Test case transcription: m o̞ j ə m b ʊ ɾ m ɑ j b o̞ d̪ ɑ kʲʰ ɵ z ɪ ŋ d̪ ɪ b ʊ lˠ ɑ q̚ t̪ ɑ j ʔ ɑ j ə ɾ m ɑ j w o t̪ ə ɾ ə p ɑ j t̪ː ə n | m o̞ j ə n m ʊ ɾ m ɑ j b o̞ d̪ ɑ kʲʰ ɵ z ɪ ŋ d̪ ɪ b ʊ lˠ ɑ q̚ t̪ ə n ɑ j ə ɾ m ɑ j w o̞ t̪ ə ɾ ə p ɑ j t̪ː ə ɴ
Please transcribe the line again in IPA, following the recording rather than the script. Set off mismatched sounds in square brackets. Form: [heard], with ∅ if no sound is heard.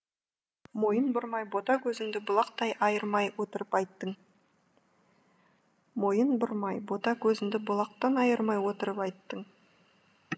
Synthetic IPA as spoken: m o̞ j ə [n] b ʊ ɾ m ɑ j b o̞ [t̪] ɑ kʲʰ ɵ z ɪ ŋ d̪ ɪ b ʊ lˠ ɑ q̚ t̪ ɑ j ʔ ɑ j ə ɾ m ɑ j w o t̪ ə ɾ ə p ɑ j t̪ː ə [ɴ] | m o̞ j ə n [b] ʊ ɾ m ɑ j b o̞ [t̪] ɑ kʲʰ ɵ z ɪ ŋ d̪ ɪ b ʊ lˠ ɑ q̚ t̪ [ɑ] n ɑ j ə ɾ m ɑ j w o̞ t̪ ə ɾ ə p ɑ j t̪ː ə ɴ